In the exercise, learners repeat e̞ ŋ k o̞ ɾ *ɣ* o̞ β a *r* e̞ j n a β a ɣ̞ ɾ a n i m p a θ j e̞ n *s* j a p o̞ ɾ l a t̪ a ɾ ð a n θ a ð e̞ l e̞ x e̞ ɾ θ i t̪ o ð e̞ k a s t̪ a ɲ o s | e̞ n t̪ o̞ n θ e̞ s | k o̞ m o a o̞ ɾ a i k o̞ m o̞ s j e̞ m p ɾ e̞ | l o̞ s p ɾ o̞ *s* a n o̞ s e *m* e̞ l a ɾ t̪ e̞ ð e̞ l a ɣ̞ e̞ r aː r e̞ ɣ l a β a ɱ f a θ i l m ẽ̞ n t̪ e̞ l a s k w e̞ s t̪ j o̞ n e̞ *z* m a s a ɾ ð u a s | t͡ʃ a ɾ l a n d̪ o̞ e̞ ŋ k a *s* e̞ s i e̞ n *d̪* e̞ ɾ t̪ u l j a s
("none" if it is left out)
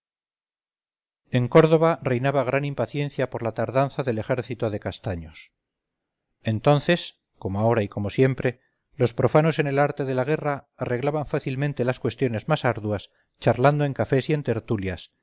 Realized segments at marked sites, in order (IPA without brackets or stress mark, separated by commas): ð, r, θ, f, n, z, f, t̪